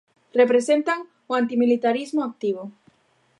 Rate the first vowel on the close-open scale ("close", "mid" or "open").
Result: mid